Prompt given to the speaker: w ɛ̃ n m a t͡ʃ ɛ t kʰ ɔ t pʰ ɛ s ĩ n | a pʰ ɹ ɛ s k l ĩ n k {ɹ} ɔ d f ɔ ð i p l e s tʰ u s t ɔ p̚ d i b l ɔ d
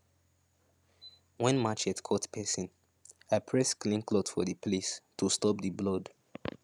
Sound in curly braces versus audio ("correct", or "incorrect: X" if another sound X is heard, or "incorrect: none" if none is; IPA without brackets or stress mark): incorrect: l